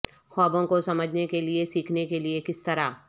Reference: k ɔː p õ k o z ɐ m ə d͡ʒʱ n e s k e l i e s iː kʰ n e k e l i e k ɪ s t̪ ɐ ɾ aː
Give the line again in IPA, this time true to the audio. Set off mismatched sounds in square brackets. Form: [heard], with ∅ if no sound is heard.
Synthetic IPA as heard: [x] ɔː [b] õ k o [s] ɐ m ə d͡ʒʱ n e [∅] k e l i e s iː kʰ n e k e l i e k ɪ s t̪ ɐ ɾ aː